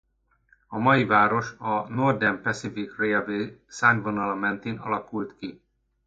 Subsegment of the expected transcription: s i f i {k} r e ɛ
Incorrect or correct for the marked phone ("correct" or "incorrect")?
correct